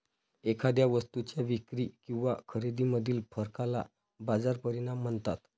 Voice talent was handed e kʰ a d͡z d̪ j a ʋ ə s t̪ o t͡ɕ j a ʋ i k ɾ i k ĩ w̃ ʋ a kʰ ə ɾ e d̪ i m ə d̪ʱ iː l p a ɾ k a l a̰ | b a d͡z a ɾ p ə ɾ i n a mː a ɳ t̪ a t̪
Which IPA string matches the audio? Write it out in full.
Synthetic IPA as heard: e kʰ a d̪ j a ʋ ə s t̪ u t͡ɕ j a ʋ i k ɾ i k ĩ w̃ ʋ a kʰ ə ɾ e d̪ i m ə d̪ʱ iː l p ə ɾ k a l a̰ | b a d͡z a ɾ p ə ɾ i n a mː ə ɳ t̪ a t̪